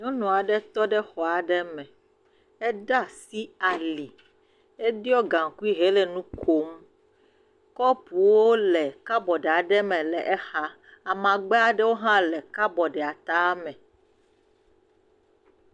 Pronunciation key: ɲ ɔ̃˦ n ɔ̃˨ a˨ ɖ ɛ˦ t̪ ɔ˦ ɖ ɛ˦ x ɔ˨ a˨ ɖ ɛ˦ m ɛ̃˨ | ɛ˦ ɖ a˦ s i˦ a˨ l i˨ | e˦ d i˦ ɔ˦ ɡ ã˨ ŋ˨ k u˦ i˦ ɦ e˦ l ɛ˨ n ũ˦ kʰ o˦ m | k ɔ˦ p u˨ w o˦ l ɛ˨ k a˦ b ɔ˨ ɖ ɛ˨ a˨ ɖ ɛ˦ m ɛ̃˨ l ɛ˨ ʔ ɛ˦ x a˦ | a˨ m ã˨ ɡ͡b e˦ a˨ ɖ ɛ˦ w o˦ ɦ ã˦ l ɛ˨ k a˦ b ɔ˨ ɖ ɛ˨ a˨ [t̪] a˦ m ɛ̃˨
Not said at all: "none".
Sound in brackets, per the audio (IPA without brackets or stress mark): t̪